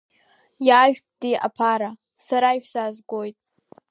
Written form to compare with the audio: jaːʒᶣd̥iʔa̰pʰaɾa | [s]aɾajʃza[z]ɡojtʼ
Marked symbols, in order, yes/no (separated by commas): yes, yes